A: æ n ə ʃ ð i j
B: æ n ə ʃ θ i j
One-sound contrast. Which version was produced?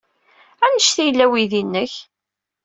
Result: B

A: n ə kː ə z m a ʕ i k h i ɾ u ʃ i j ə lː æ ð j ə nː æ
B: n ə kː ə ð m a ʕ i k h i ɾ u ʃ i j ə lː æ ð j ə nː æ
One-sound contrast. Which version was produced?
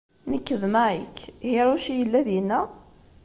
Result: B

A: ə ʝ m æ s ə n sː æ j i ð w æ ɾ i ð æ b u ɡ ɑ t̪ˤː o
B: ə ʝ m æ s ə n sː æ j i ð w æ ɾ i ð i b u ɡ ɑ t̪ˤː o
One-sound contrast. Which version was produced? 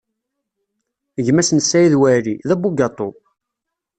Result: A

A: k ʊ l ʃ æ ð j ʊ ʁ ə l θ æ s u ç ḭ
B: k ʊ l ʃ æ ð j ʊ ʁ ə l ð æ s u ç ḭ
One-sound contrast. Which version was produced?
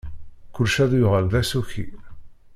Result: B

